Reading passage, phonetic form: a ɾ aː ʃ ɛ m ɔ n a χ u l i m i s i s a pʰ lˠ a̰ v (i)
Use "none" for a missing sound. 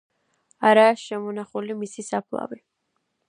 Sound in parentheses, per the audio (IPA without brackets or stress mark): i